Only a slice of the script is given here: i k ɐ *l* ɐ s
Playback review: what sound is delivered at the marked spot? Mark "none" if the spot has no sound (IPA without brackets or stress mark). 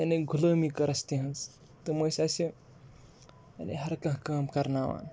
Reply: ɾ